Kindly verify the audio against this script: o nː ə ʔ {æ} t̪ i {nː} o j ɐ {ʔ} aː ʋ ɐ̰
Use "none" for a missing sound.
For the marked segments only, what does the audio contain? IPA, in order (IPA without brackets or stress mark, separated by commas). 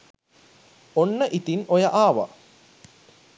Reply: i, n, ʔ